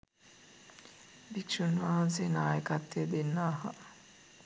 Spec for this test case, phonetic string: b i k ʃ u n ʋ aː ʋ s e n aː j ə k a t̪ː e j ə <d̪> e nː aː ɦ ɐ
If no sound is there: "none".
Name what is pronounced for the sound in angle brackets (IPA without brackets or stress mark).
d̪